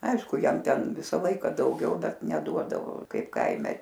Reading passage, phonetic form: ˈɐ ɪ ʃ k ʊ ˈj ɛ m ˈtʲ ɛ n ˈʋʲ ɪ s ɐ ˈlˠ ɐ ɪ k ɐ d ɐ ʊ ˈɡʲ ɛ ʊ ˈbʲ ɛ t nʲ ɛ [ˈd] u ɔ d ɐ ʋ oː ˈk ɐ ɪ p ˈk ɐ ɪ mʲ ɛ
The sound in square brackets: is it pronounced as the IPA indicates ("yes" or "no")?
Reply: yes